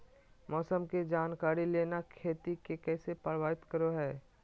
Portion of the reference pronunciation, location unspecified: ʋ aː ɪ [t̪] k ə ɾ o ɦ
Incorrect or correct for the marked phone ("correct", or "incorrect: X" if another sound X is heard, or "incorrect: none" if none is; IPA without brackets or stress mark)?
correct